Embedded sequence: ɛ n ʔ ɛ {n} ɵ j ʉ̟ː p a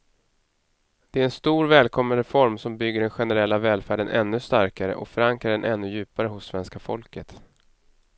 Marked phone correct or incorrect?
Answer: incorrect